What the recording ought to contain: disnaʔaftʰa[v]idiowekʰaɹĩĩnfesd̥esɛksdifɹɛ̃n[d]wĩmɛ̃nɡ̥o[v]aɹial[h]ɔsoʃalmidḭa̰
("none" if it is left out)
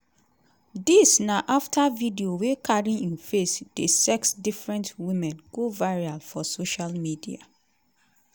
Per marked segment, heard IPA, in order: v, t, v, f

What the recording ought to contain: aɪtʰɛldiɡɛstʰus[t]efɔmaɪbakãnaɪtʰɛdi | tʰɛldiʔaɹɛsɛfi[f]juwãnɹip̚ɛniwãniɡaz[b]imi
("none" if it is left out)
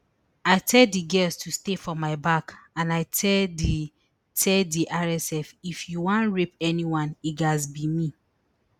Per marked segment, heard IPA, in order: t, f, b

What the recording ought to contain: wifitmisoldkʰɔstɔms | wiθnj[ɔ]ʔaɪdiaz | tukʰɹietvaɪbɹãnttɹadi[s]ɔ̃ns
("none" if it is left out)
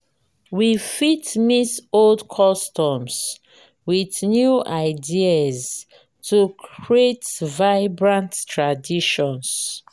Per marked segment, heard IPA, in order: u, ʃ

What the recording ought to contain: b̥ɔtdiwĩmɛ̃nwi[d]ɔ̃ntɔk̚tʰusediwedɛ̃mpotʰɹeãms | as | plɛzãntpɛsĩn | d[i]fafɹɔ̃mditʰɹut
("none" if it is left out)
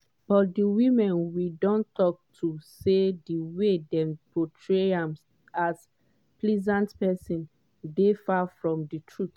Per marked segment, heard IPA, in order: d, e

